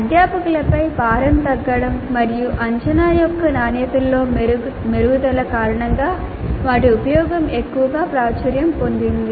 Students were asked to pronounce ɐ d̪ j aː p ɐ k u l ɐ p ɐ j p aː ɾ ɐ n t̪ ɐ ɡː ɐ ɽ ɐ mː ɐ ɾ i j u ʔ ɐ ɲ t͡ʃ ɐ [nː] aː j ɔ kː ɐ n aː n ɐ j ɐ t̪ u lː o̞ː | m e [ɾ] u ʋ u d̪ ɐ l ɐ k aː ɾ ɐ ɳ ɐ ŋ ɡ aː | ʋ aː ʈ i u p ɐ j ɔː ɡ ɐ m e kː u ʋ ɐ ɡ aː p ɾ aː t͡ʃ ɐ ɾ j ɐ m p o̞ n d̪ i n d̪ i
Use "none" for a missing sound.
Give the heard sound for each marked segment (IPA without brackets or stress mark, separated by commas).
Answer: n, ɾ